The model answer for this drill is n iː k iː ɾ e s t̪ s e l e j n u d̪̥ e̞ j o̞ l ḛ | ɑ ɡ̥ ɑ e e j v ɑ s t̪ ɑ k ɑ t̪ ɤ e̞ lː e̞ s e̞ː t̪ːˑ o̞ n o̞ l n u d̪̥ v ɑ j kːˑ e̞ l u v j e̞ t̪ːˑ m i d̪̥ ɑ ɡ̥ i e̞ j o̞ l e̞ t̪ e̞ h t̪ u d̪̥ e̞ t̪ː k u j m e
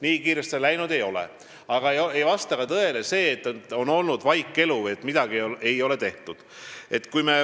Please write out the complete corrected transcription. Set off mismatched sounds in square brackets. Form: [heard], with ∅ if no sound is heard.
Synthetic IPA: n iː k iː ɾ e s t̪ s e l [æ] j n u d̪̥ e̞ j o̞ l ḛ | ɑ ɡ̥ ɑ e e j v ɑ s t̪ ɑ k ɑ t̪ ɤ e̞ [l] e̞ s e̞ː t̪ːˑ o̞ n o̞ l n u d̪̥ v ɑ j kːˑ e̞ l u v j e̞ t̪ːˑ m i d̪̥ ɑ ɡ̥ i e̞ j o̞ l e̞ t̪ e̞ h t̪ u d̪̥ e̞ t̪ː k u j m e

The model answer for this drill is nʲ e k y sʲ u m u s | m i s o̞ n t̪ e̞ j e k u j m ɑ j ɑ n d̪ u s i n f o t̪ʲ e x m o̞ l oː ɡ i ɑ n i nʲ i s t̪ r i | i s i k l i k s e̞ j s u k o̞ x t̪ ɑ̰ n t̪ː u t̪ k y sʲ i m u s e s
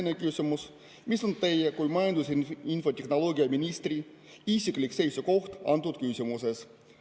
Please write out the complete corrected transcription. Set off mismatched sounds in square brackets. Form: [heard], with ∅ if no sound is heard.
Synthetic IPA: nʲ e k y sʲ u m u s | m i s o̞ n t̪ e̞ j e k u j m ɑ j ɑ n d̪ u s i n f o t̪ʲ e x [n] o̞ l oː ɡ i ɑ [m] i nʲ i s t̪ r i | i s i k l i k s e̞ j s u k o̞ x t̪ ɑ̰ n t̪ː u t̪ k y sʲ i m u s e s

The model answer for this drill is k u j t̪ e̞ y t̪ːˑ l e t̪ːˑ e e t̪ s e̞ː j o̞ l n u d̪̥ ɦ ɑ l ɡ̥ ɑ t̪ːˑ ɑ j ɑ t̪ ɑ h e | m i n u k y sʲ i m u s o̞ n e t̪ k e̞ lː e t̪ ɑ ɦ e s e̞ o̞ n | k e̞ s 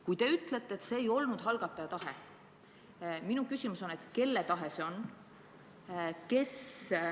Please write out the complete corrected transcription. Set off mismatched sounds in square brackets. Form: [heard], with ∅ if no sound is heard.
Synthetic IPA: k u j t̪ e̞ y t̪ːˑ l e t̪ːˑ e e t̪ s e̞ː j o̞ l n u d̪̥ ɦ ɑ l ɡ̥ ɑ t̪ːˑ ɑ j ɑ t̪ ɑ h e | m i n u k y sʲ i m u s o̞ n e t̪ k e̞ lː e t̪ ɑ ɦ e s e̞ o̞ n | k e̞ s

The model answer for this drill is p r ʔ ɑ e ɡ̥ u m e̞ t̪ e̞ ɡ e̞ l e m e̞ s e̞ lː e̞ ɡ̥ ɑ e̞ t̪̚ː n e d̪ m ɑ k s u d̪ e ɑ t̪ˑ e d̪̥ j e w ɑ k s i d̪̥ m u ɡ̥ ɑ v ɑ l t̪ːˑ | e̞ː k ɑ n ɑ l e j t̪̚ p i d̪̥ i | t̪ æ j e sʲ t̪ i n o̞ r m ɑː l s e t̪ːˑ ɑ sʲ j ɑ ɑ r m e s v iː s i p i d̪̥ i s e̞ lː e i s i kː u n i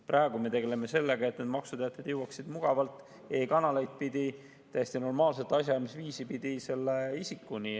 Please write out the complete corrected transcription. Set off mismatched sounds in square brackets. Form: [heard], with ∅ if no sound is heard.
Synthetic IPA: p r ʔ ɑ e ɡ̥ u m e̞ t̪ e̞ ɡ e̞ l e m e̞ s e̞ lː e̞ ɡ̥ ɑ e̞ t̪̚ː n e d̪ m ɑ k s u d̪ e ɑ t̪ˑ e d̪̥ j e w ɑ k s i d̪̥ m u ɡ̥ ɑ v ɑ l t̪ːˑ | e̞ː k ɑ n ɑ l e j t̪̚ p i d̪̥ i | t̪ æ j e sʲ t̪ i n o̞ r m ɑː l s e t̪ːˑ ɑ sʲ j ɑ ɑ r m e s v iː s i p i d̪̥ i s e̞ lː e i s i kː u n i

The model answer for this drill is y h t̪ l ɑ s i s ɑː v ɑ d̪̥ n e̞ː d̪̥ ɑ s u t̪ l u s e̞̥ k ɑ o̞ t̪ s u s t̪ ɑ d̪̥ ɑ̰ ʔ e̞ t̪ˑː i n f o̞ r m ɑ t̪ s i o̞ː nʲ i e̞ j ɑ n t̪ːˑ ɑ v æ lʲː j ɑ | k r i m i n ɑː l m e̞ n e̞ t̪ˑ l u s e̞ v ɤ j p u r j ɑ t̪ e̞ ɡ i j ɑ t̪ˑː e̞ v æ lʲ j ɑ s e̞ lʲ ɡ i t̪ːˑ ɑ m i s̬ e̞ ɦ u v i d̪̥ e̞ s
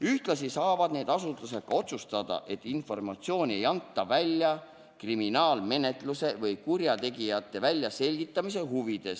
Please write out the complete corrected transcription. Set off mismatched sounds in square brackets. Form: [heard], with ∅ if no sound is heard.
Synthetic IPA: y h t̪ l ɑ s i s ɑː v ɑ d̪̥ n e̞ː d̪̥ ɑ s u t̪ l u s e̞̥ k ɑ o̞ t̪ s u s t̪ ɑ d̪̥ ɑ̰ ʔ e̞ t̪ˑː i n f o̞ r m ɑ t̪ s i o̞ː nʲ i e̞ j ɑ n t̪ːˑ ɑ v æ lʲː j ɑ | k r i m i n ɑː l m e̞ n e̞ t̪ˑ l u s e̞ v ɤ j [k] u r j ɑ t̪ e̞ ɡ i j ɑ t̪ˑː e̞ v æ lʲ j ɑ s e̞ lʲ ɡ i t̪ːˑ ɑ m i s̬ e̞ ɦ u v i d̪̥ e̞ s

